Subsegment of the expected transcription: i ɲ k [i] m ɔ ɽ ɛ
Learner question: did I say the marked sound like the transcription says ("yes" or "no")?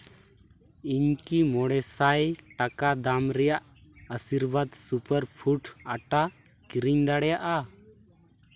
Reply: yes